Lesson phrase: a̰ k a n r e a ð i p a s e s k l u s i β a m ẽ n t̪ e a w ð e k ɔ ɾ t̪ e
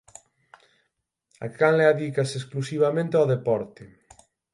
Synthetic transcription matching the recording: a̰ k a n l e a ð i k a s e s k l u s i β a m ẽ n t̪ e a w ð e p ɔ ɾ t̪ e